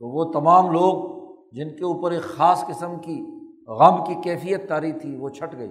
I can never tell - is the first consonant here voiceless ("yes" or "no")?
yes